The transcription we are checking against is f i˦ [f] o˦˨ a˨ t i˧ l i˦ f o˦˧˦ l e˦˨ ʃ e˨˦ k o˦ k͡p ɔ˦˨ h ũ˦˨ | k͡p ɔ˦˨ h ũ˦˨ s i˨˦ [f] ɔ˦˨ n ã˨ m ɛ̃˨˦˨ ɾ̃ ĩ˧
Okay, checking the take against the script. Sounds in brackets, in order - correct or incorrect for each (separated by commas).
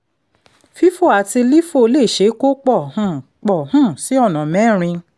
correct, incorrect